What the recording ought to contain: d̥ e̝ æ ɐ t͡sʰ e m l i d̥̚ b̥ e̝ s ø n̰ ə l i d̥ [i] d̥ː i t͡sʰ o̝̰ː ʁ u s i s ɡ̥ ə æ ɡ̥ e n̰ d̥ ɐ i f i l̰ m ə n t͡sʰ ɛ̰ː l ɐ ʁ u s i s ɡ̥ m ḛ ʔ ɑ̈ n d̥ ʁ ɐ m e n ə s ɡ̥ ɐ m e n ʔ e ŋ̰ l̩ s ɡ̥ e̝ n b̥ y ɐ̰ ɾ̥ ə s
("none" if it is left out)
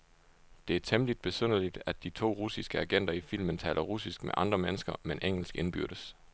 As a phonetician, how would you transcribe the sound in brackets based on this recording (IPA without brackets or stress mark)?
æ